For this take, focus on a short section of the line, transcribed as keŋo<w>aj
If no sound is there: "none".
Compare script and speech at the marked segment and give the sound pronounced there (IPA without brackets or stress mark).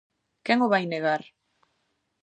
β